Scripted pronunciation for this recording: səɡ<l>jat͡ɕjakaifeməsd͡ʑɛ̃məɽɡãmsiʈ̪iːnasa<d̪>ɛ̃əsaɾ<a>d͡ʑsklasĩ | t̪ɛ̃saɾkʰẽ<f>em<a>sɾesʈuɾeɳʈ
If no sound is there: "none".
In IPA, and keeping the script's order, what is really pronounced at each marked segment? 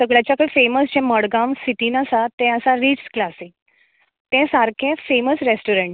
ɭ, t̪, i, f, ə

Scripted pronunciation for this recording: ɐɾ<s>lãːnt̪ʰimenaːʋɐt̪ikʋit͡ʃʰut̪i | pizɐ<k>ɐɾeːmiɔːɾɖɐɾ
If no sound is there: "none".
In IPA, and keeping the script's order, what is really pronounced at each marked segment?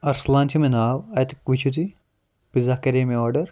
s, k

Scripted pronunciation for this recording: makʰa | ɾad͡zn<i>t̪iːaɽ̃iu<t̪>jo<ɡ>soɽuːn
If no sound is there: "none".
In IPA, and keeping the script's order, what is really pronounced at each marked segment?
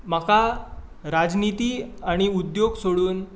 i, d̪, ɡ

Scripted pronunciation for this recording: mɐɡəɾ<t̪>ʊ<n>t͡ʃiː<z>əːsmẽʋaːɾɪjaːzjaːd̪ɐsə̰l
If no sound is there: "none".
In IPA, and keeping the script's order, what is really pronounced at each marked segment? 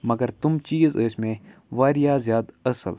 t̪, m, z

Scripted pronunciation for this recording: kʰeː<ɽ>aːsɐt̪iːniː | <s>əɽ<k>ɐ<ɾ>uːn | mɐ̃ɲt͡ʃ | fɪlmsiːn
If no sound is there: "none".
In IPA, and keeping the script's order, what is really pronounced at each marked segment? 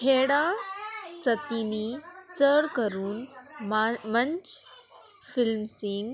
ɽ, t͡s, k, ɾ

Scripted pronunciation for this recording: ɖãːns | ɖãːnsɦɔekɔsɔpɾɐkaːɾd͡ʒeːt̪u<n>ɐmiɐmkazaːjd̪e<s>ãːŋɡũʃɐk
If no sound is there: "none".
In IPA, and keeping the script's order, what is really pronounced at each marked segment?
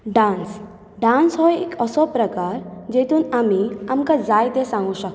n, s

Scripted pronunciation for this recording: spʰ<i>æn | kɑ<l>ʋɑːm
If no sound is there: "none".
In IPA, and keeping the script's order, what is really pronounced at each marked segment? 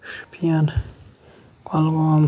i, l

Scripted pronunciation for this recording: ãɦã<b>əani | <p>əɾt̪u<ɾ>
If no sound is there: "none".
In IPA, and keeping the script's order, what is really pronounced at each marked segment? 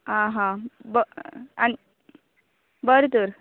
b, b, ɾ

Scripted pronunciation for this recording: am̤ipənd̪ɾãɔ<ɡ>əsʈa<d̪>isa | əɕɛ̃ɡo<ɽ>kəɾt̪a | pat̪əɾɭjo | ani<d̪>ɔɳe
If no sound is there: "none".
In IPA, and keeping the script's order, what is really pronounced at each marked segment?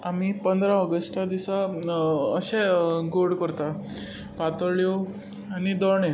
ɡ, d̪, ɽ, d̪

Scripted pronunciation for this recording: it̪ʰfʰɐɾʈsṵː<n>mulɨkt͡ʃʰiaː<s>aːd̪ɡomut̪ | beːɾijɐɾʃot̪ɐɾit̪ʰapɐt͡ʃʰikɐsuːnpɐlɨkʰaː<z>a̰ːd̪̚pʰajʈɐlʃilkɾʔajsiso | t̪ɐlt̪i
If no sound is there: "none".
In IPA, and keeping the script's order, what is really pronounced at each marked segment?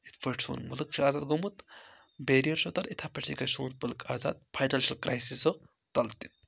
n, z, z

